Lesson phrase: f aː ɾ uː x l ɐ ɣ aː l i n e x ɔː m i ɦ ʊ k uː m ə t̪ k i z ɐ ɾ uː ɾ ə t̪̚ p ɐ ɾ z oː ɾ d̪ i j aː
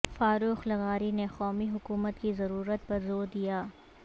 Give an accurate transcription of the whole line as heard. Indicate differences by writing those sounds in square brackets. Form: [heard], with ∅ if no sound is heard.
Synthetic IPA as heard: f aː ɾ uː x l ɐ ɣ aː [ɾ] i n e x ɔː m i ɦ ʊ k uː m ə t̪ k i z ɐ ɾ uː ɾ ə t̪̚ p ɐ ɾ z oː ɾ d̪ i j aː